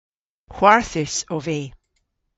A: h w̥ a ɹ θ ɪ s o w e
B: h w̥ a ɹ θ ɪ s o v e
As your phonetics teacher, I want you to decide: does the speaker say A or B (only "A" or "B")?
B